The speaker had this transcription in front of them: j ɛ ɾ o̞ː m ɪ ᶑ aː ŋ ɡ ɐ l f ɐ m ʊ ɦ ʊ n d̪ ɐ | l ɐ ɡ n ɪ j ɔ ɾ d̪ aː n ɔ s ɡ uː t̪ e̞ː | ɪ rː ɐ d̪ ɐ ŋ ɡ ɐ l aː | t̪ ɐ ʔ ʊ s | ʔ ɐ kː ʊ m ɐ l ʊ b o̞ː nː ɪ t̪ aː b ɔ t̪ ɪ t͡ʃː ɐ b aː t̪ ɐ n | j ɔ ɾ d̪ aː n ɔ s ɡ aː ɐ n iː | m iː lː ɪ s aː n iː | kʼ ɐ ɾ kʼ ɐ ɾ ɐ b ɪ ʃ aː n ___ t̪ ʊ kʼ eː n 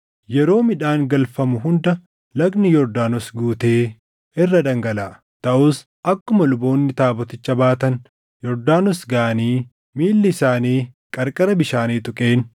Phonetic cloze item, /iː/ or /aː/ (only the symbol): iː